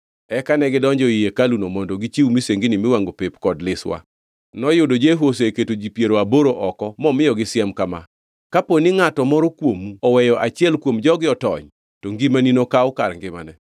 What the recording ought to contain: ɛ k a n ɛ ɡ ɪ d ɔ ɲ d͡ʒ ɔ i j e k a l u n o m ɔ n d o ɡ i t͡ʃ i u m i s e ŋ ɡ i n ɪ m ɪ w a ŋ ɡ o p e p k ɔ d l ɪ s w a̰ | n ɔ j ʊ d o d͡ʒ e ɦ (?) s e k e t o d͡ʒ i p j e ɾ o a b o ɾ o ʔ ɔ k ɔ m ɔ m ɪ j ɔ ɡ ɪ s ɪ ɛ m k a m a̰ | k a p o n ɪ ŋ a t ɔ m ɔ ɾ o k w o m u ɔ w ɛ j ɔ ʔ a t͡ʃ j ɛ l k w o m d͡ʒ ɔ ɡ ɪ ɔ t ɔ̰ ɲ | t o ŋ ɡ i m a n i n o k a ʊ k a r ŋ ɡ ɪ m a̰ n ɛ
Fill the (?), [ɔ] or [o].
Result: o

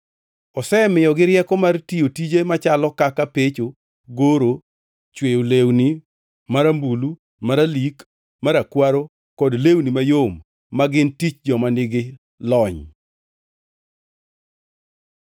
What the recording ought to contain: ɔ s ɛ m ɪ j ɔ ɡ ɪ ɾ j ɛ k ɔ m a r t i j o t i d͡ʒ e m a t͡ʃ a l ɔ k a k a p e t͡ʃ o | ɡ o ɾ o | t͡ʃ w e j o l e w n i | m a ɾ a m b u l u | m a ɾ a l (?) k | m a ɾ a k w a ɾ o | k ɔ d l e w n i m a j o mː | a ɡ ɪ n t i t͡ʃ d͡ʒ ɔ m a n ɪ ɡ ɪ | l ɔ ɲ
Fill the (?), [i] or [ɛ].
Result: i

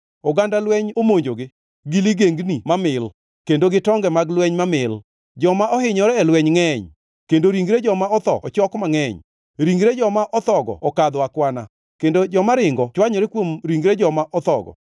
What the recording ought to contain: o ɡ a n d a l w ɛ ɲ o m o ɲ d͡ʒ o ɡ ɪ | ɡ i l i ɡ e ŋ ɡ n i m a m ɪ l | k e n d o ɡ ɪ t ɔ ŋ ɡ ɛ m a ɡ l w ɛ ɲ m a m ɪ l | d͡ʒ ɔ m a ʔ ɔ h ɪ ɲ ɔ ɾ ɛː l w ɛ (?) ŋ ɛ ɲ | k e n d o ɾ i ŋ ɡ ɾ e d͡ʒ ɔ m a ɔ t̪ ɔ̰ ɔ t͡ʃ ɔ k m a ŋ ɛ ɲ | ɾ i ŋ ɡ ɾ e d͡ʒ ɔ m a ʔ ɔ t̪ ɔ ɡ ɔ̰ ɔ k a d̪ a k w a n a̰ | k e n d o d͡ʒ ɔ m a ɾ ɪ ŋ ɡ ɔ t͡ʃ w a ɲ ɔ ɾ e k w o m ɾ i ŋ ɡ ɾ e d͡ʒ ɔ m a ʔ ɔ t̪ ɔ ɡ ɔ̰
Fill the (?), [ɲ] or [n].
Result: ɲ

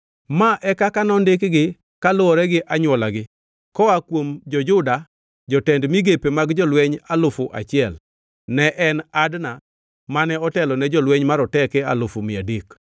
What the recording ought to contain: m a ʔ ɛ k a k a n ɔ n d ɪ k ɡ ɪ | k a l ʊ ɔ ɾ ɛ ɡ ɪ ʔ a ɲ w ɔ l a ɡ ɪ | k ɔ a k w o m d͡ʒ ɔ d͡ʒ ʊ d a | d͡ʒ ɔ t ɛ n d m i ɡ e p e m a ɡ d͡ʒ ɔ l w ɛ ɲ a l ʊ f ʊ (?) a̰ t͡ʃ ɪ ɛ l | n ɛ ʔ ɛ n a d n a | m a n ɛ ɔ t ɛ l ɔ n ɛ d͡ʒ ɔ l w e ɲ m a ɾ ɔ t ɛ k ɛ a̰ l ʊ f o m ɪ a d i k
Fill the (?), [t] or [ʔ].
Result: ʔ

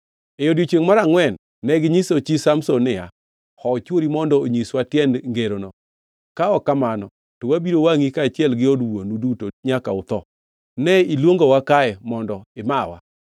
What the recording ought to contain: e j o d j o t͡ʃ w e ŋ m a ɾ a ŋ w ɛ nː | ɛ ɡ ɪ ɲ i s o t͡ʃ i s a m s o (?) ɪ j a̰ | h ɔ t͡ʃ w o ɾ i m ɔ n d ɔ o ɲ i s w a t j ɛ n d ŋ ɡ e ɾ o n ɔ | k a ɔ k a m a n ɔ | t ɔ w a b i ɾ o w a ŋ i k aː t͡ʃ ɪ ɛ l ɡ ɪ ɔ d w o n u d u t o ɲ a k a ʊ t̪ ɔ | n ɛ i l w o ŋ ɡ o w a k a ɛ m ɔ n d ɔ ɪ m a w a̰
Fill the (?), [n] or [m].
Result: n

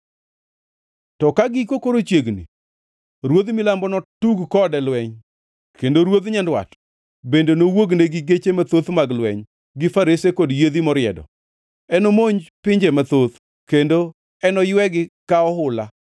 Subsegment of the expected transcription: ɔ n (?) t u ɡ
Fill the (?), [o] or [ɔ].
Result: ɔ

